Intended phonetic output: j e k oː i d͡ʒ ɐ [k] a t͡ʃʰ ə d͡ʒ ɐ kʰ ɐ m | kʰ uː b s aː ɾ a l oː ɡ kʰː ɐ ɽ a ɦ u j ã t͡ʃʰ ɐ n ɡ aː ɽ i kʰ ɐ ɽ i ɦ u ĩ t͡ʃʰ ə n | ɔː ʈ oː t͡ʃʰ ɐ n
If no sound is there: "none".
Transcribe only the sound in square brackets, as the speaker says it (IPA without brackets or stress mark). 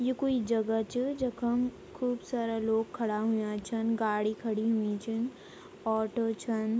ɡ